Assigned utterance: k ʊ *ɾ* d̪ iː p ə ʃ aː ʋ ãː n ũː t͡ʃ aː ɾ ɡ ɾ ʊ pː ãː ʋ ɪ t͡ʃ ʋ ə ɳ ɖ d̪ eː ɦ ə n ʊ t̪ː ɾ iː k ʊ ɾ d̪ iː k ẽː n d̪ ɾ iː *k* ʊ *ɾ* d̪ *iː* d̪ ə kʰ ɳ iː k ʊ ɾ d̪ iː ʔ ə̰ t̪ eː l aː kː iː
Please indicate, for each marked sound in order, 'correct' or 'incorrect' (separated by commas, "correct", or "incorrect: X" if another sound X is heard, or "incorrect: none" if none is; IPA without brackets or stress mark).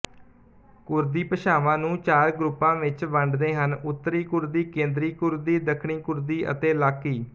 correct, correct, correct, correct